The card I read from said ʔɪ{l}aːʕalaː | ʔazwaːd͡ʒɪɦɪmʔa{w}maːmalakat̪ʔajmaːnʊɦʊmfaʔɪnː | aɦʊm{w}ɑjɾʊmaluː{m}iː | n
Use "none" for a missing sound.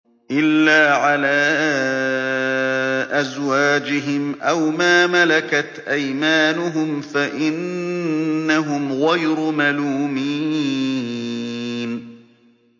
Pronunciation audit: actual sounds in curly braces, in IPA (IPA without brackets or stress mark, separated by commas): lː, w, ɣ, m